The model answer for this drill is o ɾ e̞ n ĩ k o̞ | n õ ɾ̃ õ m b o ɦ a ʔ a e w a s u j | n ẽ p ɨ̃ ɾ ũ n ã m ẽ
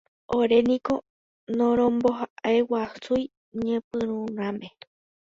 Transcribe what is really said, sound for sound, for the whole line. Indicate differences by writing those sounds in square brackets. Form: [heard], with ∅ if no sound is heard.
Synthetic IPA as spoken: o ɾ e̞ n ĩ k o̞ | n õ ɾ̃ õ m b o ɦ a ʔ a e w a s u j | [ɲ] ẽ p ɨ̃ ɾ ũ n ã m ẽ